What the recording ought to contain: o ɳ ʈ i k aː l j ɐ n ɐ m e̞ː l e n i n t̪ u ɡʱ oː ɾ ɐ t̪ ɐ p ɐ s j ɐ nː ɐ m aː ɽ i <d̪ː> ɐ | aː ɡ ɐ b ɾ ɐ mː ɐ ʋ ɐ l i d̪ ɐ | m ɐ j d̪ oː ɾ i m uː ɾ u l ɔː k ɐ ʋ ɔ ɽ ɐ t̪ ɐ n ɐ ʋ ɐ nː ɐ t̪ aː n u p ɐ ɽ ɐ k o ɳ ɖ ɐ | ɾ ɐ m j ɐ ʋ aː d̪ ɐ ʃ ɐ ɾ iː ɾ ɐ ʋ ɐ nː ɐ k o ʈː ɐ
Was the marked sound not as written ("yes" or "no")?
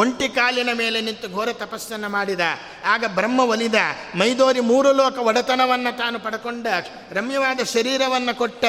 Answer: yes